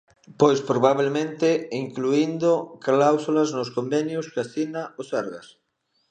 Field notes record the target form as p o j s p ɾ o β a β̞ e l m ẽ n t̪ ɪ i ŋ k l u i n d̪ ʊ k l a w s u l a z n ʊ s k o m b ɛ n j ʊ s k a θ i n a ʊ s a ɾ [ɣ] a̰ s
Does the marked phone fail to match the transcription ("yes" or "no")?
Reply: no